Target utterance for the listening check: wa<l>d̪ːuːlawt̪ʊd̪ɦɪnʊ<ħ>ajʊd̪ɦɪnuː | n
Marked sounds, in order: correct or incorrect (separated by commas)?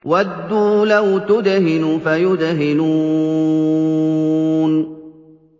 incorrect, incorrect